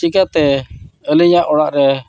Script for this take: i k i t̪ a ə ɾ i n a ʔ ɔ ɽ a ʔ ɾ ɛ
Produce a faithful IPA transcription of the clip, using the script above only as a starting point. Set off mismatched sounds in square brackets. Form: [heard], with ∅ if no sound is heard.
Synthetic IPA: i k [a] t̪ [ɛ] ə [l] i [ɲ] a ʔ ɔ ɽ a ʔ ɾ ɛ